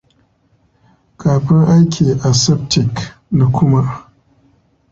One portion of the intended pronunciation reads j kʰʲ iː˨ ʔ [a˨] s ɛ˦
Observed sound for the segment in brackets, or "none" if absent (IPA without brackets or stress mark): a˨